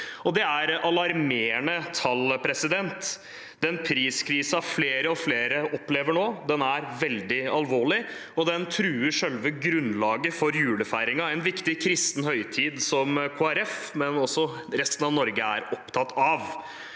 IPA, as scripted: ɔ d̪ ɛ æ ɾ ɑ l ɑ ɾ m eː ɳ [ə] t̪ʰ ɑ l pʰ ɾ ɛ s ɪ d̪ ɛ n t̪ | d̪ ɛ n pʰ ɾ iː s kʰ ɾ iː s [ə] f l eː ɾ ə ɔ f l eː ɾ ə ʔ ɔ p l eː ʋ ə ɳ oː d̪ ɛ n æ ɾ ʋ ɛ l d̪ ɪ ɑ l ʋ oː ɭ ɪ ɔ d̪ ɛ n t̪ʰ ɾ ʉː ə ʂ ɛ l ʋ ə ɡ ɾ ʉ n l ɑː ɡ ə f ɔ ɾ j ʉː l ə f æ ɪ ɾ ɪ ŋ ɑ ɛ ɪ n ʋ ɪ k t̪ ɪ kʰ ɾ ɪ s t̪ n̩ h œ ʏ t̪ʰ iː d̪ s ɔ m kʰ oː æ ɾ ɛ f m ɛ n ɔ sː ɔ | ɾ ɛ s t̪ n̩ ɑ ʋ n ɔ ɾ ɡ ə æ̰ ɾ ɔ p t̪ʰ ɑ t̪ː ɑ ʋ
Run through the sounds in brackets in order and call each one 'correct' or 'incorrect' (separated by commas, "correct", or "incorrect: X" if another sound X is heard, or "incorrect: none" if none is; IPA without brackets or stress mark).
correct, incorrect: ɑ